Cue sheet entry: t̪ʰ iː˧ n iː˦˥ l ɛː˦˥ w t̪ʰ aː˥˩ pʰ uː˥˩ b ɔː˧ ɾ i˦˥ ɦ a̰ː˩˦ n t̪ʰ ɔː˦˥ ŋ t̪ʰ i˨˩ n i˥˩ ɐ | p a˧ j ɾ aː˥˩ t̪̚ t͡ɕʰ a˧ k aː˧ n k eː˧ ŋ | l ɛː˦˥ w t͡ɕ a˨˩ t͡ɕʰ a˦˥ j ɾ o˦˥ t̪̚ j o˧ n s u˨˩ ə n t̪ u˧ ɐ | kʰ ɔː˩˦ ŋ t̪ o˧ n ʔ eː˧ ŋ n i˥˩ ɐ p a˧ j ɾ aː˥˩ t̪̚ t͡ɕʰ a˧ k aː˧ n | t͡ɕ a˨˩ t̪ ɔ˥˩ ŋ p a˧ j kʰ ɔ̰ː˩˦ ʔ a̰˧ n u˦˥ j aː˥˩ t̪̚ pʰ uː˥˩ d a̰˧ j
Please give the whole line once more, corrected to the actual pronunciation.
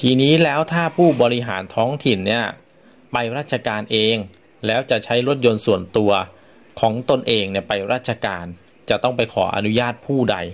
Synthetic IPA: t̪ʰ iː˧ n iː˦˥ l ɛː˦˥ w t̪ʰ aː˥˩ pʰ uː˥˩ b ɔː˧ ɾ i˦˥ ɦ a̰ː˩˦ n t̪ʰ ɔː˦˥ ŋ t̪ʰ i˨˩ nː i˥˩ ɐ | p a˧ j ɾ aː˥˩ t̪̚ t͡ɕʰ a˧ k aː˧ n ʔ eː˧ ŋ | l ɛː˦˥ w t͡ɕ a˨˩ t͡ɕʰ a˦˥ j ɾ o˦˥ t̪̚ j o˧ n s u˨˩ ə n t̪ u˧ ɐ | kʰ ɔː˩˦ ŋ t̪ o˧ n ʔ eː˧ ŋ n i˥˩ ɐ p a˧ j ɾ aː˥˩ t̪̚ t͡ɕʰ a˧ k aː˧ n | t͡ɕ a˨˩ t̪ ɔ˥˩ ŋ p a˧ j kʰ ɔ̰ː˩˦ ʔ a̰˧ n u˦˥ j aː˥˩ t̪̚ pʰ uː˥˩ d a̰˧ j